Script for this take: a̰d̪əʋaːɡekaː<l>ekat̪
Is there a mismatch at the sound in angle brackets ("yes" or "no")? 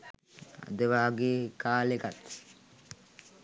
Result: no